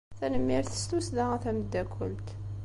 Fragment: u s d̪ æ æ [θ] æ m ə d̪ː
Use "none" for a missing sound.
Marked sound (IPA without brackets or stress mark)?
θ